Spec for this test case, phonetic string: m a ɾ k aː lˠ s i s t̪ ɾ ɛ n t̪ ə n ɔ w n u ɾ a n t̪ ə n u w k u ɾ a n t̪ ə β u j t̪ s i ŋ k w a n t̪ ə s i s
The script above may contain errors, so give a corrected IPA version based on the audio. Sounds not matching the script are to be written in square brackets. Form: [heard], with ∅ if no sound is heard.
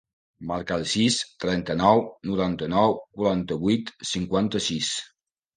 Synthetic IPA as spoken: m a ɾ k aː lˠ s i s t̪ ɾ ɛ n t̪ ə n ɔ w n u ɾ a n t̪ ə n [ɔ] w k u ɾ a n t̪ ə β u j t̪ s i ŋ k w a n t̪ ə s i s